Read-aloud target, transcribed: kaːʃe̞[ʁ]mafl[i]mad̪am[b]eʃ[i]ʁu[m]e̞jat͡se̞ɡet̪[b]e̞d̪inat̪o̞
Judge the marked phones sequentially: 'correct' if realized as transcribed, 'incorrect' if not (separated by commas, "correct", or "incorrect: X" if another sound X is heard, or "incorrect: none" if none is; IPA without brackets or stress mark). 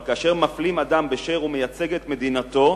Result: correct, correct, correct, incorrect: e, correct, incorrect: m